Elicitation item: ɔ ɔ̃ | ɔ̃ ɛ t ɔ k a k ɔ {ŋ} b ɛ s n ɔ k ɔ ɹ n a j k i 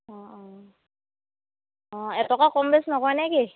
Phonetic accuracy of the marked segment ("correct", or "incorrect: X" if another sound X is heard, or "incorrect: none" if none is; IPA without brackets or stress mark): incorrect: m